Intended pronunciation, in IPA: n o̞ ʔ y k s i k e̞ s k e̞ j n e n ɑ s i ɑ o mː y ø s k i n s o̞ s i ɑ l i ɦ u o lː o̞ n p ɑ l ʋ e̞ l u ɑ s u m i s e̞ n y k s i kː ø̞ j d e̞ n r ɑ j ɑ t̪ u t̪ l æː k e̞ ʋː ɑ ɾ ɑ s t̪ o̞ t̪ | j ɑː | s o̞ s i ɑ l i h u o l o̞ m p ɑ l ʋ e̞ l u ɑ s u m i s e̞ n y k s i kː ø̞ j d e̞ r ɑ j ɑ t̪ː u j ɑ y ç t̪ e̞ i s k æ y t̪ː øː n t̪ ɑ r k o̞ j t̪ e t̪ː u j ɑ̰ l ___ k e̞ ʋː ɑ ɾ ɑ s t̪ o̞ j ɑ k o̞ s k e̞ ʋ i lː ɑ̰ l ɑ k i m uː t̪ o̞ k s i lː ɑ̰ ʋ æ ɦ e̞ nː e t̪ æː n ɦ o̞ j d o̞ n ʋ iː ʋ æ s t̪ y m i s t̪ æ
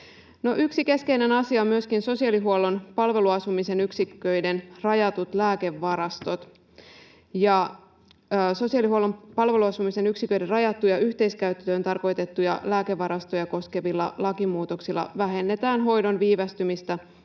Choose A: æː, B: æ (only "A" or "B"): A